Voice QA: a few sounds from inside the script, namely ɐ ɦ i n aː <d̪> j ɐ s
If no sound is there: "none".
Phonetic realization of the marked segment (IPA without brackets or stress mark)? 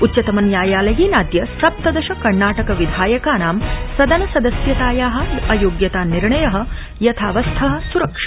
d̪